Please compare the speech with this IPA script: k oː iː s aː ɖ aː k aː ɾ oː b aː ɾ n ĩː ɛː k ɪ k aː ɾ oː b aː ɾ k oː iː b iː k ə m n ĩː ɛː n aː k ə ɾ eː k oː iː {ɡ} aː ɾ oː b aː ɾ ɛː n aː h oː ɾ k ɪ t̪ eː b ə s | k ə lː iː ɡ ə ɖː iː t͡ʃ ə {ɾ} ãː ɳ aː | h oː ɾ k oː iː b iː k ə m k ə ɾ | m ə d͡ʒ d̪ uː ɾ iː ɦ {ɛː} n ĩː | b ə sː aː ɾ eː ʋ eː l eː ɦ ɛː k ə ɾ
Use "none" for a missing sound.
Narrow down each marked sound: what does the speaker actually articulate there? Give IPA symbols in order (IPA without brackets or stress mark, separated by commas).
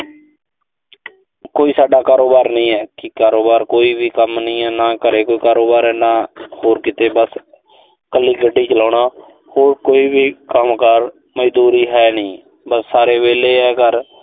k, l, ɛː